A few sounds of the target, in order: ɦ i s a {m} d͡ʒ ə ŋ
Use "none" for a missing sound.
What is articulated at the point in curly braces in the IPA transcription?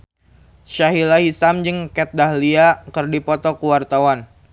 m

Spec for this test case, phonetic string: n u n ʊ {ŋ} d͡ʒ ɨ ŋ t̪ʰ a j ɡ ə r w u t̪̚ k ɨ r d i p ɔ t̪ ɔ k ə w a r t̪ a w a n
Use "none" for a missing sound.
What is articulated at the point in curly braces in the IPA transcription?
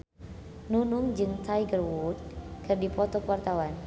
ŋ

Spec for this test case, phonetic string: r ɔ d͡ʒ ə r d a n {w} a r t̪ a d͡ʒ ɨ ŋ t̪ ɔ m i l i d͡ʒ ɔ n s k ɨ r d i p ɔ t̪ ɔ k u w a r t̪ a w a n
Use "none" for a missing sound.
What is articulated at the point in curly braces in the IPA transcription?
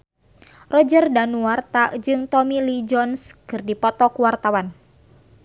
u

